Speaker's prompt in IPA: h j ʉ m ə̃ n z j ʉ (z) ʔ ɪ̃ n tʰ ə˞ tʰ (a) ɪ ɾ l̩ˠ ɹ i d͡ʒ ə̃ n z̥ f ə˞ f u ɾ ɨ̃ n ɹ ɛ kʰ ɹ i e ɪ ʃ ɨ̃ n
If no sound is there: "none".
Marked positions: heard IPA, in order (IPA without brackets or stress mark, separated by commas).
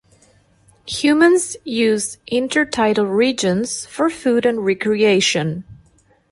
z, a